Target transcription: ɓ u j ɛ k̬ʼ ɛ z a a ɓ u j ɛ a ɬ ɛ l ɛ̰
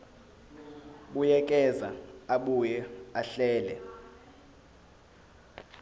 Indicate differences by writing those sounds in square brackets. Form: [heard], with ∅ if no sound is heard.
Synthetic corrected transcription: ɓ u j ɛ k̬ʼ ɛ z a a ɓ u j ɛ a ɬ [ɛː] l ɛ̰